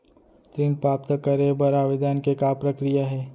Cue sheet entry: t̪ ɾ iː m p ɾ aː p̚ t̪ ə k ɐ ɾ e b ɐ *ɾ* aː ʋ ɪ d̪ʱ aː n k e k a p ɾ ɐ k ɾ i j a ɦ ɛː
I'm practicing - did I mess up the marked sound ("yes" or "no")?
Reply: no